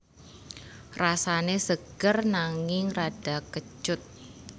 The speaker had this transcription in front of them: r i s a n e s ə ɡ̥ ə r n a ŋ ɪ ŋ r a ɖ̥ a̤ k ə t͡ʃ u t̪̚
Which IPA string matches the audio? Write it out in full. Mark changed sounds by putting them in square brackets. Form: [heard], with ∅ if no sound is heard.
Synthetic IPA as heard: r [a] s a n e s ə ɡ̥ ə r n a ŋ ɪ ŋ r a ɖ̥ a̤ k ə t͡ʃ [ʊ] t̪̚